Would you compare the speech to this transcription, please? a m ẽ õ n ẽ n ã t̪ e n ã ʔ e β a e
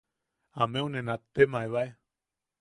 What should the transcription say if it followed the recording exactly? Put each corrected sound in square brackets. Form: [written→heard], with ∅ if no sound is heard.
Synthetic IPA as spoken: a m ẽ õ n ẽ n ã t̪ e [n→m] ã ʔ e β a e